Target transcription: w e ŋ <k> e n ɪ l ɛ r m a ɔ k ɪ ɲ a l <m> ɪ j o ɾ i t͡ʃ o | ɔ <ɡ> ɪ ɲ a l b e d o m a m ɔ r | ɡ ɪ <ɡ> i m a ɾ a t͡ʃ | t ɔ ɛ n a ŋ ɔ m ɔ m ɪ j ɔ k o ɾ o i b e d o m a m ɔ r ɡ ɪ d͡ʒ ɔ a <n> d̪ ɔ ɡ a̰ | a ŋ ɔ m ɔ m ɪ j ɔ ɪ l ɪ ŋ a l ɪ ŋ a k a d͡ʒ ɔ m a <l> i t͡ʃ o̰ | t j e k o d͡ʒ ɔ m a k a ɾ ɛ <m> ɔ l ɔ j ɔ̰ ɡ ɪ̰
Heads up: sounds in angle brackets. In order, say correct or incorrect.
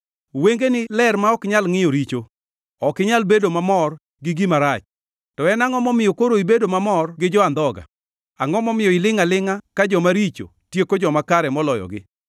incorrect: ɡ, incorrect: ŋ, incorrect: k, correct, correct, incorrect: ɾ, correct

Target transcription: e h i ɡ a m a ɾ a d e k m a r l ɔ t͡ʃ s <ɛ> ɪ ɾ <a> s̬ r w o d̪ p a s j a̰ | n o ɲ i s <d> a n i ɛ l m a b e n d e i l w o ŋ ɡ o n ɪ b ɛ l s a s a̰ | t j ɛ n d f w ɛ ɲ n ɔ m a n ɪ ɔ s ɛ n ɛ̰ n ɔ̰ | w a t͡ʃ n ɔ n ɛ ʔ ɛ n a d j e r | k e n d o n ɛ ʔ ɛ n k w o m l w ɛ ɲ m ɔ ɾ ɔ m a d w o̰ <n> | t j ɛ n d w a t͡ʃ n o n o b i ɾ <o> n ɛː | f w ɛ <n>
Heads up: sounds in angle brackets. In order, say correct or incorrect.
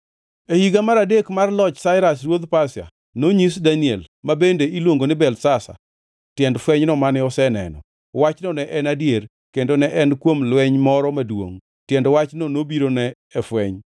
incorrect: a, correct, correct, incorrect: ŋ, correct, incorrect: ɲ

